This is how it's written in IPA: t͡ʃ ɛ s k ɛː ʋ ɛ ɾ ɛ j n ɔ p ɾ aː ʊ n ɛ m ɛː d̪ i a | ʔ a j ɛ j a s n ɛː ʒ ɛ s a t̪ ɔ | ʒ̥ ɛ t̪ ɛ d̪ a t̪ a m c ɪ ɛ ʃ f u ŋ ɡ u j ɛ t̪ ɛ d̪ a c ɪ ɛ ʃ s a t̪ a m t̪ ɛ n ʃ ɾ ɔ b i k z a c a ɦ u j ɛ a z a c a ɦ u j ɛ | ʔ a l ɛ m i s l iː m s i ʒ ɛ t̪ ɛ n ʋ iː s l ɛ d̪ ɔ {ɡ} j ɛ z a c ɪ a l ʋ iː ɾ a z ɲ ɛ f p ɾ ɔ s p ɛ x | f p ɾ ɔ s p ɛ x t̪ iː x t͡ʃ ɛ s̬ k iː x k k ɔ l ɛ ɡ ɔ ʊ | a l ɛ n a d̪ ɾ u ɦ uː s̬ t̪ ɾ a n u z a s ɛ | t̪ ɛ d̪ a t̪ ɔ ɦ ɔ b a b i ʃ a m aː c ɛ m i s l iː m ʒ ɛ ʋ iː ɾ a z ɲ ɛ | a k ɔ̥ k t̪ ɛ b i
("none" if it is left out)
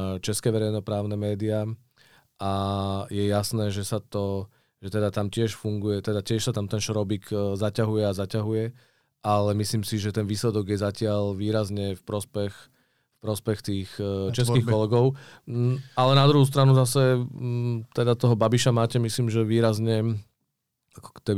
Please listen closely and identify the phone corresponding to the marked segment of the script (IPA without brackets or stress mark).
ɡ